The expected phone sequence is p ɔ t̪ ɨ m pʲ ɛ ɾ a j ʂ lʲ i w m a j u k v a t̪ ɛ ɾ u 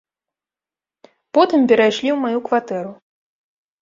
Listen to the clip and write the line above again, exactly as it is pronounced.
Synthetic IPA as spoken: p ɔ t̪ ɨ m pʲ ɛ ɾ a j ʂ lʲ i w m a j u k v a t̪ ɛ ɾ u